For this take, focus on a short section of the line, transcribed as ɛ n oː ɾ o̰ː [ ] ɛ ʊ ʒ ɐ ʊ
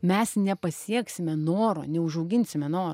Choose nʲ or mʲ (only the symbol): nʲ